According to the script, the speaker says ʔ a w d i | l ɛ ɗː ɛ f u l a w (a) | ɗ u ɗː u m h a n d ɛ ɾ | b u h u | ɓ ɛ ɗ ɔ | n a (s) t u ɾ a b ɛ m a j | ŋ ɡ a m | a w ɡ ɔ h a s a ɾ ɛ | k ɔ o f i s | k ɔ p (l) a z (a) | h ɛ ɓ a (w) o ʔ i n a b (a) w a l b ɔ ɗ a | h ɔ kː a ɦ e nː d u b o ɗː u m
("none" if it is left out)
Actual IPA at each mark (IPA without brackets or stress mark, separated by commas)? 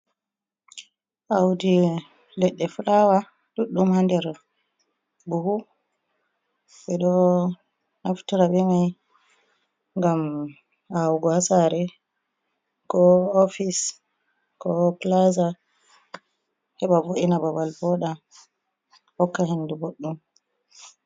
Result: a, f, l, a, v, a